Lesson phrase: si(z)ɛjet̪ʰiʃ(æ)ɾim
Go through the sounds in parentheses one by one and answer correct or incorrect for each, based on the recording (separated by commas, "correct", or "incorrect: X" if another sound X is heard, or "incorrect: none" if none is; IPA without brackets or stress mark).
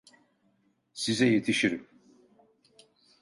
correct, incorrect: i